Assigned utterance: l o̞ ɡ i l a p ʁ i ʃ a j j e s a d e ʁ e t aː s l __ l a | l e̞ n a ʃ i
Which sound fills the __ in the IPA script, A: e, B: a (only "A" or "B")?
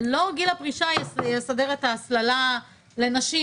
B